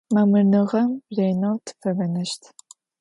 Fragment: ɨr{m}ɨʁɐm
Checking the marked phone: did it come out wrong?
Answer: yes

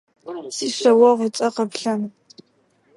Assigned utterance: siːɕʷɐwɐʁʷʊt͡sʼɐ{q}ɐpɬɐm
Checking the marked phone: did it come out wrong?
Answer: no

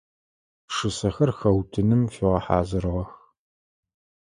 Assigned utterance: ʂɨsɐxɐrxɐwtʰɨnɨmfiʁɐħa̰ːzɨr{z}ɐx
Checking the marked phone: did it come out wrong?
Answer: yes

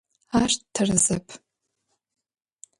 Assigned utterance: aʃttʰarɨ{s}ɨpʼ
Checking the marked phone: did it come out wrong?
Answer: yes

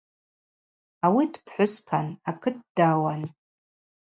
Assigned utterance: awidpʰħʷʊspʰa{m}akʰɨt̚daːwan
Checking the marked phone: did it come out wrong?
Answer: yes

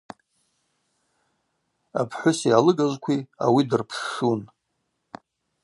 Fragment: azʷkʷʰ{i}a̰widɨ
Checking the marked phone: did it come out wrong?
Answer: no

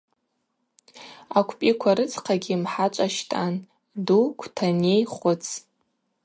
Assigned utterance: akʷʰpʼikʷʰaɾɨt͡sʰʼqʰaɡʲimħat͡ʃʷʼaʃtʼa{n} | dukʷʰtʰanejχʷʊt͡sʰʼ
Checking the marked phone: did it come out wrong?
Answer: no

